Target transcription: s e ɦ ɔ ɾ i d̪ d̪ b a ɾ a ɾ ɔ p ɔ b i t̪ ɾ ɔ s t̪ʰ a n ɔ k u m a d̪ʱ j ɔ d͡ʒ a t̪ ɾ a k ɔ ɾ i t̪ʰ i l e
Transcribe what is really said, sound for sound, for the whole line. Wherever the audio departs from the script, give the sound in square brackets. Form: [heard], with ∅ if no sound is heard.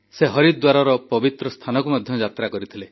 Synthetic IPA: s e ɦ ɔ ɾ i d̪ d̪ [w] a ɾ a ɾ ɔ p ɔ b i t̪ ɾ ɔ s t̪ʰ a n ɔ k u m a d̪ʱ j ɔ d͡ʒ a t̪ ɾ a k ɔ ɾ i t̪ʰ i l e